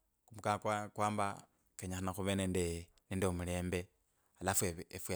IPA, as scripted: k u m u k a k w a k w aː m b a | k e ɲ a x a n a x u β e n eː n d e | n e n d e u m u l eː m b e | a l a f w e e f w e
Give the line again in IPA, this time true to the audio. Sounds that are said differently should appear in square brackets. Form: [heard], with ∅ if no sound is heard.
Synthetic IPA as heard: k u m u k a k w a k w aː m b a | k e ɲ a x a n a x u β e n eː n d e | n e n d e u m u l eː m b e | a l a f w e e f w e

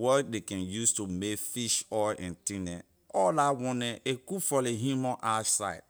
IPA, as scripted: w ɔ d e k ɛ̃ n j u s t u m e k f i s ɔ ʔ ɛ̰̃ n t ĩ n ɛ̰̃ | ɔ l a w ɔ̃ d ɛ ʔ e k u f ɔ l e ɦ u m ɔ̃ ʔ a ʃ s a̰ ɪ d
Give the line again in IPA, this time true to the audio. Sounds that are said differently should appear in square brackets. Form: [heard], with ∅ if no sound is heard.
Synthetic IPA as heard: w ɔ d e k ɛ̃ n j u s t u m e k f i [ʃ] ɔ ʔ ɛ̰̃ n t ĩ n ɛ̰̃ | ɔ l a w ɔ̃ [n] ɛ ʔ e k u f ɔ l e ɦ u m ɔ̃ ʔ a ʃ s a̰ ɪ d

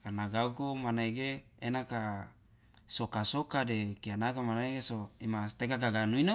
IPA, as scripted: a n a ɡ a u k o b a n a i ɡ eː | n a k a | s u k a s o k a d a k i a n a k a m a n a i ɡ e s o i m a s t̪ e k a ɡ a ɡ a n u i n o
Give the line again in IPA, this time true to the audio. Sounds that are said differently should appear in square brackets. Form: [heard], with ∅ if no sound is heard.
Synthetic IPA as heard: a n a ɡ a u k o [m] a n a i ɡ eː | n a k a | s [o] k a s o k a d [e] k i a n a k a m a n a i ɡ e s o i m a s t̪ e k a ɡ a ɡ a n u i n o

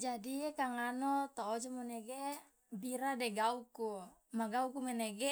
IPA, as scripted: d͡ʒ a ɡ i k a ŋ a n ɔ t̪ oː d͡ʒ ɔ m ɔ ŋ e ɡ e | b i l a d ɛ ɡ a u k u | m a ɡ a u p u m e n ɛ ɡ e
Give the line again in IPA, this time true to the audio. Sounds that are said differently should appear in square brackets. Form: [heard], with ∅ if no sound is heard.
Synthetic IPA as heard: d͡ʒ a [d] i k a ŋ a n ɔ t̪ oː d͡ʒ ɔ m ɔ [n] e ɡ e | b i [ɾ] a d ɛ ɡ a u k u | m a ɡ a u [k] u m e n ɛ ɡ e

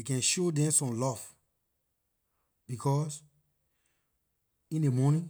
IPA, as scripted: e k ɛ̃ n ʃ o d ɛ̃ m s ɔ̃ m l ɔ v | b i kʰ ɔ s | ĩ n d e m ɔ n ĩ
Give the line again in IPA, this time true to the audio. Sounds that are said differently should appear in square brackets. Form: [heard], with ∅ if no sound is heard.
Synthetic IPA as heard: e k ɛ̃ n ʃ o d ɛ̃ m s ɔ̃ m l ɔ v | b i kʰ ɔ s | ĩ n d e m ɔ n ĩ

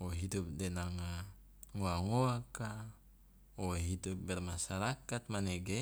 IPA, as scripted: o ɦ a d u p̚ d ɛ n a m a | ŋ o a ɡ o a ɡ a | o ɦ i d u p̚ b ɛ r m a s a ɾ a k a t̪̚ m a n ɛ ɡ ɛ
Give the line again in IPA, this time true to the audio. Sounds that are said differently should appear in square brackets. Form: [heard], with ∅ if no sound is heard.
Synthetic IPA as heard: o ɦ [i] d u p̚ d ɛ n a [ŋ] a | ŋ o a [ŋ] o a [k] a | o ɦ i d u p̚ b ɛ r m a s a ɾ a k a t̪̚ m a n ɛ ɡ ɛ

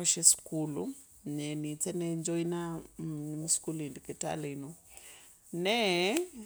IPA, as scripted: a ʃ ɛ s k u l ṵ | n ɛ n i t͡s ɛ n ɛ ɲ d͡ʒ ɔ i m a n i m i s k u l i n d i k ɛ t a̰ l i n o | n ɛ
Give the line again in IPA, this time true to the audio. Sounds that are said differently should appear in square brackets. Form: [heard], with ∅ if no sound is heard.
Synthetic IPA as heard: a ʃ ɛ s k u l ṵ | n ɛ n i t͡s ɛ n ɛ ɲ d͡ʒ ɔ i [n] a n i m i s k u l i n d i k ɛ t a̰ l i n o | n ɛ

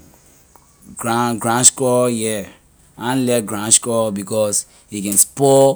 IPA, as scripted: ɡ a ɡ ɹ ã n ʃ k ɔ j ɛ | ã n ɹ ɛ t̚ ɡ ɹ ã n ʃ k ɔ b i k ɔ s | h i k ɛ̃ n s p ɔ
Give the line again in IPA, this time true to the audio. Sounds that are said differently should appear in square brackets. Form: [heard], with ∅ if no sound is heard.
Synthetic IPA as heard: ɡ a ɡ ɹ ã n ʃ k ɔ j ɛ | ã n [l] ɛ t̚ ɡ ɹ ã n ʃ k ɔ b i k ɔ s | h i k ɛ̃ n s p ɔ

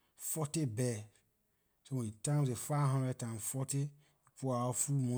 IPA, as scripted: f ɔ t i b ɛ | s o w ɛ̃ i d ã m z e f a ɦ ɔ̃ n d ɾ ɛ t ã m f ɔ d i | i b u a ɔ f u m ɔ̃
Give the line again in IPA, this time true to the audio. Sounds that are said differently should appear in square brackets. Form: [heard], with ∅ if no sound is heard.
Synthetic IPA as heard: f ɔ t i b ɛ | s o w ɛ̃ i [t] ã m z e f a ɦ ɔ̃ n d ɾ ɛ t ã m f ɔ [t] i | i [p] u a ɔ f u m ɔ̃

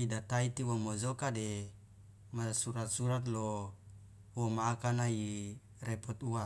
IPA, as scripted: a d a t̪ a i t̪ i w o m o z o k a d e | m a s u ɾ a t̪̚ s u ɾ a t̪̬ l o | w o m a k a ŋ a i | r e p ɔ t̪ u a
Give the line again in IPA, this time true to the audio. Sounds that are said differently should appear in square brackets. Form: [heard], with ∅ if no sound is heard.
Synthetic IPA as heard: [i] d a t̪ a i t̪ i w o m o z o k a d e | m a s u ɾ a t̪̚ s u ɾ a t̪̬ l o | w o m a k a [n] a i | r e p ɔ t̪ u a

